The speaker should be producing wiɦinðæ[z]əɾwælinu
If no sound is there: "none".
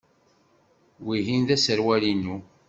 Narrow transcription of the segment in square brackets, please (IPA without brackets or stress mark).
s